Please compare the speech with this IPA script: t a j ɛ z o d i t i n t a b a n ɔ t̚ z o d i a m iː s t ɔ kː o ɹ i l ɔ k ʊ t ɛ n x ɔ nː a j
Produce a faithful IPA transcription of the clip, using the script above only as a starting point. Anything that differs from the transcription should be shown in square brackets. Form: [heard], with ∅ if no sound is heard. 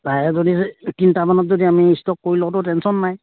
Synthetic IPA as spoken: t a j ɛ z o d i t i n t a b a n ɔ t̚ z o d i a m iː s t ɔ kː o ɹ i l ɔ [t] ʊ t ɛ n [s] ɔ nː a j